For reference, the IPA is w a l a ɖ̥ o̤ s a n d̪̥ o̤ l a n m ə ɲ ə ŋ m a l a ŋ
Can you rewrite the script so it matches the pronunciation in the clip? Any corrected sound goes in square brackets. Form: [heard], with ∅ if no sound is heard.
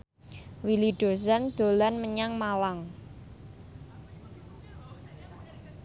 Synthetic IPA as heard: w [i] l [i] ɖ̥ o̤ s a n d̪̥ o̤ l a n m ə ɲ [a] ŋ m a l a ŋ